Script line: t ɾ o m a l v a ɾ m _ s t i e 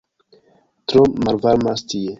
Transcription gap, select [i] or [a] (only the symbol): a